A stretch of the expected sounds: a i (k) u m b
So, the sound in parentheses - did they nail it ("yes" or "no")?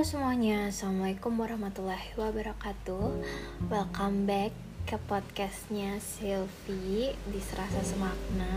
yes